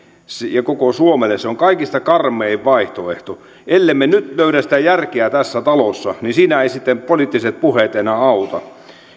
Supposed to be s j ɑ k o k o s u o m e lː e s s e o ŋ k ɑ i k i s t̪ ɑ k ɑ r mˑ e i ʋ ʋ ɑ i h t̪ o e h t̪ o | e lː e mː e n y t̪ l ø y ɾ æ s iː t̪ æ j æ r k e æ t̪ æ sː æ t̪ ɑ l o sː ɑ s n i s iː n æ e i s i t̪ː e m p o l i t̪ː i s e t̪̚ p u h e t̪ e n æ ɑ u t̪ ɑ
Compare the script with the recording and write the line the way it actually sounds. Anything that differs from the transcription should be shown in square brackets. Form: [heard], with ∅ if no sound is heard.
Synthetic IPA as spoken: s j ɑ k o k o s u o m e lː e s s e o ŋ k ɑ i k i s t̪ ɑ k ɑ r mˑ e i ʋ ʋ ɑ i h t̪ o e h t̪ o | e lː e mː e n y t̪ l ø y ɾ æ s [i] t̪ æ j æ r k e æ t̪ æ sː æ t̪ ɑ l o sː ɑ [∅] n i s iː n æ e i s i t̪ː e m p o l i t̪ː i s e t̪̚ p u h e t̪ e n æ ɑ u t̪ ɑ